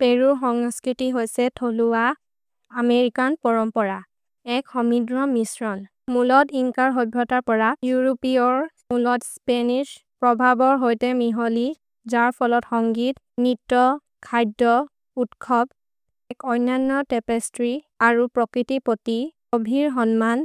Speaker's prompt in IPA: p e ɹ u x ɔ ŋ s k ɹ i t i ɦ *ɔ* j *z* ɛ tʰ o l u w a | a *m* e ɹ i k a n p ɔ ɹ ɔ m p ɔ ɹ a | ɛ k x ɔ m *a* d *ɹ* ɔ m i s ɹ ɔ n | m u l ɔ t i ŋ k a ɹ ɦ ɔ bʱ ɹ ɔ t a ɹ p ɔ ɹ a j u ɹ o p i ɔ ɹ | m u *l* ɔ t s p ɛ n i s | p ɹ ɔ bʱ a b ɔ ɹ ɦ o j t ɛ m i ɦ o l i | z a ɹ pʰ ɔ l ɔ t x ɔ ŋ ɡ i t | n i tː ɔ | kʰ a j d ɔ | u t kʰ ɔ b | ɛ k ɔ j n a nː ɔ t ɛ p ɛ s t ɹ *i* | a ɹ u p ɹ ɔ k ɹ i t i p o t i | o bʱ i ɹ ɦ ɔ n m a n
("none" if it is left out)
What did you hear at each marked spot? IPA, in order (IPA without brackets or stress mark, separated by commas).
o, s, m, i, ɹ, l, i